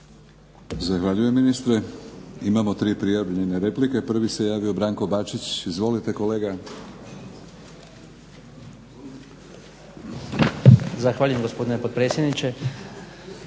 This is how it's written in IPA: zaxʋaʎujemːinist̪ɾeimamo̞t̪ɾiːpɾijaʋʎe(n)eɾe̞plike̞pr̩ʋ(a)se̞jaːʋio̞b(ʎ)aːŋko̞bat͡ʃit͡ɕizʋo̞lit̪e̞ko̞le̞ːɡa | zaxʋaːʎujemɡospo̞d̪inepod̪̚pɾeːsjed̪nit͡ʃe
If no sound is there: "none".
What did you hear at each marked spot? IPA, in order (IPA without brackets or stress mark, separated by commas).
n, i, ɾ